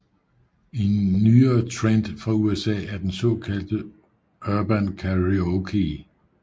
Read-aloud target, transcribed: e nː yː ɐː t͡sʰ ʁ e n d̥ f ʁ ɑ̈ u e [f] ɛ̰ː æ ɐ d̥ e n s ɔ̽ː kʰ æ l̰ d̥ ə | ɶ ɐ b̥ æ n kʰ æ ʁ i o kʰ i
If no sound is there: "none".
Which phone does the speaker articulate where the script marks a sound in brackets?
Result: s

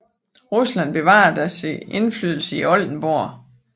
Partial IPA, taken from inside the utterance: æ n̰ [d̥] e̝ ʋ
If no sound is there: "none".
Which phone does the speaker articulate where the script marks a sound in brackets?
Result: b̥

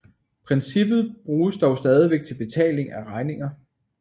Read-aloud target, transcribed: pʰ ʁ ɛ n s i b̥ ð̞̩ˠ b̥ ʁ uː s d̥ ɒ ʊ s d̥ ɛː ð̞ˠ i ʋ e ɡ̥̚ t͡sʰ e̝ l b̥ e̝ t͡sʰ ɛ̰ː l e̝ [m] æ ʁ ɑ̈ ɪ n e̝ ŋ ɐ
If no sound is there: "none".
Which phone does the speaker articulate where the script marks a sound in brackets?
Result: ŋ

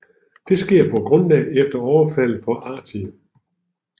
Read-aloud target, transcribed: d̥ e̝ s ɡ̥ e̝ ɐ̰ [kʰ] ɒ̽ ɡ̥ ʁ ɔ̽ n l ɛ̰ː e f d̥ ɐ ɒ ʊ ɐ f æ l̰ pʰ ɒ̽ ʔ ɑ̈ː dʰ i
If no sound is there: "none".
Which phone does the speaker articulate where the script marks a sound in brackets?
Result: pʰ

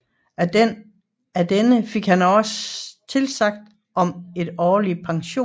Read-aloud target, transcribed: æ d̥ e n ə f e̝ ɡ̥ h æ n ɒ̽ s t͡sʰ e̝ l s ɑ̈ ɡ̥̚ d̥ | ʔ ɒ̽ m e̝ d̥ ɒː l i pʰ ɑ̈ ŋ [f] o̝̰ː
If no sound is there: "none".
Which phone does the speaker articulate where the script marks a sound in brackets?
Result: ɕ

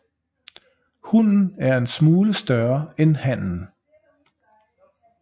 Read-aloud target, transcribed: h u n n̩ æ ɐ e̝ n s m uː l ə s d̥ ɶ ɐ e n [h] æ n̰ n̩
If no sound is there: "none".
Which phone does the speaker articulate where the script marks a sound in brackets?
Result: h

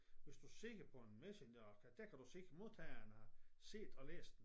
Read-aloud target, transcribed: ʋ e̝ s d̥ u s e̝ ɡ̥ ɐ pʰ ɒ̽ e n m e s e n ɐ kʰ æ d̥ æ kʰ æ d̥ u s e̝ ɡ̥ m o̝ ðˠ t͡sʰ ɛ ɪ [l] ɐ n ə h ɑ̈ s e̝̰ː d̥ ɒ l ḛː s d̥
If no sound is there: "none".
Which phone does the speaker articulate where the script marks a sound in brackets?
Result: none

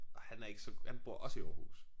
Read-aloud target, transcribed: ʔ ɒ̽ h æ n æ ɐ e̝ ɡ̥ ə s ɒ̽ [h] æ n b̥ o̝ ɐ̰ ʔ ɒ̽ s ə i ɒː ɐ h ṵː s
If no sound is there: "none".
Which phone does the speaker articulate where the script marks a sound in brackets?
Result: h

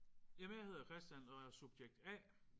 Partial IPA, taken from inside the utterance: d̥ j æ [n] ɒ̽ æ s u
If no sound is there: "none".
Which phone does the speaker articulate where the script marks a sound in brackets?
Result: n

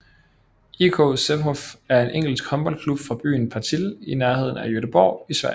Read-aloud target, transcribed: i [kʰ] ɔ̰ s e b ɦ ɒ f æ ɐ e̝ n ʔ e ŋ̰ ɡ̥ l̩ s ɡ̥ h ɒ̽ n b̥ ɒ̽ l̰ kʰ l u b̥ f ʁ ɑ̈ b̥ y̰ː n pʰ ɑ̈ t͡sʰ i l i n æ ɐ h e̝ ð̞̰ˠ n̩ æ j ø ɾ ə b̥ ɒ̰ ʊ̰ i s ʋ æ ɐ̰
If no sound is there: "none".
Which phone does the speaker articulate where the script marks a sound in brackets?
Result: kʰ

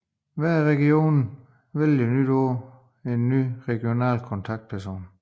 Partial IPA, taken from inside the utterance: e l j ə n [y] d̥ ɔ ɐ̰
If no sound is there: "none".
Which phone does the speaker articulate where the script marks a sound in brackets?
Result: y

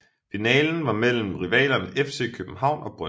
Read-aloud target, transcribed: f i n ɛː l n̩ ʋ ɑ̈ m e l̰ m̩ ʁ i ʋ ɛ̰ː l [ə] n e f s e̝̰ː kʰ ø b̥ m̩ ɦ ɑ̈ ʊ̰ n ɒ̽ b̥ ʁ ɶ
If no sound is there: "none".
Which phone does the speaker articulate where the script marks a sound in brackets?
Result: ɐ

